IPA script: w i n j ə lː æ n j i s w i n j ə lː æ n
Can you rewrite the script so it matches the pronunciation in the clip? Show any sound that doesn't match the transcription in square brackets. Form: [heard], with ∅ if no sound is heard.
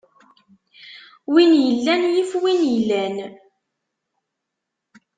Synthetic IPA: w i n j ə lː æ n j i [f] w i n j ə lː æ n